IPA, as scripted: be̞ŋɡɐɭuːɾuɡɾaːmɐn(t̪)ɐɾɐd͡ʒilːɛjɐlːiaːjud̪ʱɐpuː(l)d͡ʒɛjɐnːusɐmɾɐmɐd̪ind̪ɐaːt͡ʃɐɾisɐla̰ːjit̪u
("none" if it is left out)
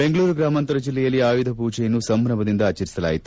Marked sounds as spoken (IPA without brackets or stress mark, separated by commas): t̪, none